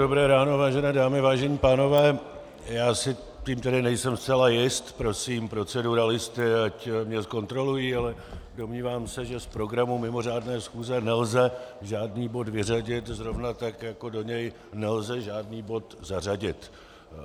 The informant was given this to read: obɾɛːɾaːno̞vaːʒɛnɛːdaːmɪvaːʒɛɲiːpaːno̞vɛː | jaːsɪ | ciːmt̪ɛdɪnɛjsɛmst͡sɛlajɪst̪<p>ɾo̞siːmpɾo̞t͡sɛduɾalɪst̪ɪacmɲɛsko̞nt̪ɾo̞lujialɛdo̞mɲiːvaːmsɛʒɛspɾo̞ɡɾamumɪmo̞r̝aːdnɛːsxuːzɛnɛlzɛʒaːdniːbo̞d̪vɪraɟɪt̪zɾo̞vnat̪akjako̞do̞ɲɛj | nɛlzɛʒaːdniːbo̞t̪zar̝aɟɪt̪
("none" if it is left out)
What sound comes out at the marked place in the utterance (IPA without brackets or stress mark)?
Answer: p